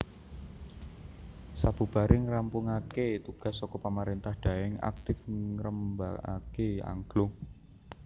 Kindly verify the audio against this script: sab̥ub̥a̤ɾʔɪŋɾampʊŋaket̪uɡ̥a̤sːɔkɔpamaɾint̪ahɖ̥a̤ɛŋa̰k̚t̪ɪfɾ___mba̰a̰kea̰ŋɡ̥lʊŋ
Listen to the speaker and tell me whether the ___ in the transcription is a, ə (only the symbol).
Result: ə